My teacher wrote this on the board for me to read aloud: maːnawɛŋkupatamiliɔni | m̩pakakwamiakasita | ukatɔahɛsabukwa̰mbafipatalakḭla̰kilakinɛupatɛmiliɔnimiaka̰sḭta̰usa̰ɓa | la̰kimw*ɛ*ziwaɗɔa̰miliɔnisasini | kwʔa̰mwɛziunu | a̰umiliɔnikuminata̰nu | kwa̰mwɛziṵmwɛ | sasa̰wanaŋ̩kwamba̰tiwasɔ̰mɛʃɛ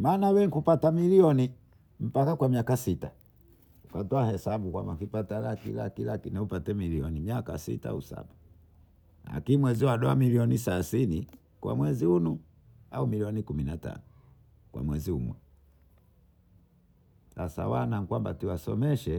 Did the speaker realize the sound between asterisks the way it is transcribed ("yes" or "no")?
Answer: yes